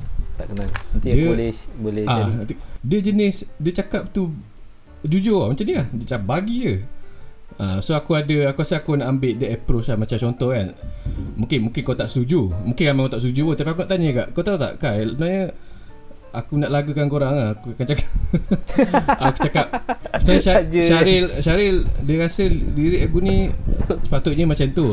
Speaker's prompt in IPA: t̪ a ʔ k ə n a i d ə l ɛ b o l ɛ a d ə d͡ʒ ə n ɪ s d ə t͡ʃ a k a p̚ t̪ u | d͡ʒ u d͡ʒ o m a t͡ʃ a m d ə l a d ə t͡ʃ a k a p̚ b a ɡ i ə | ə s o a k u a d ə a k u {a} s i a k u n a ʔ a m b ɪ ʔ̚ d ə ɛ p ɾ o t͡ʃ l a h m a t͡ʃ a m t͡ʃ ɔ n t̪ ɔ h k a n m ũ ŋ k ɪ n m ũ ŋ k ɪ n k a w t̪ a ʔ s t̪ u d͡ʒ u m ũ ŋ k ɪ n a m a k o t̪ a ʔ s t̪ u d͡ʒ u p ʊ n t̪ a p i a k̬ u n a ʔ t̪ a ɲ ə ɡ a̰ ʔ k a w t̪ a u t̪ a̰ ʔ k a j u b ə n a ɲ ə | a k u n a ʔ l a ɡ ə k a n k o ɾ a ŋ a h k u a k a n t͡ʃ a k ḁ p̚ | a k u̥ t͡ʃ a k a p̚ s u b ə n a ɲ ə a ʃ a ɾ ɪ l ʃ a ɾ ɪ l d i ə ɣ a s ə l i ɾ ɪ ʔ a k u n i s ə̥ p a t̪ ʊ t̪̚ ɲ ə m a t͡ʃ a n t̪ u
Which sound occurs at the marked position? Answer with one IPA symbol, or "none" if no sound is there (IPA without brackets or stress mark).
a